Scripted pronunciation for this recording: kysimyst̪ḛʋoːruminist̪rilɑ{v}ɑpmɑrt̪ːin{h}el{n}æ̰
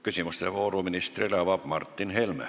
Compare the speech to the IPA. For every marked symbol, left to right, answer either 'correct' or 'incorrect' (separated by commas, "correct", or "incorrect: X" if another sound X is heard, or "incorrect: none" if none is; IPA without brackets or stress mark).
incorrect: ʋ, correct, incorrect: m